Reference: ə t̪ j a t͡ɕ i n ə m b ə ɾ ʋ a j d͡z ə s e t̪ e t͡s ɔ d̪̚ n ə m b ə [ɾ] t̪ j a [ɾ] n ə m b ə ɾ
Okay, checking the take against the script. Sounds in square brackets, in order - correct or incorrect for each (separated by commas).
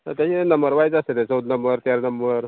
correct, correct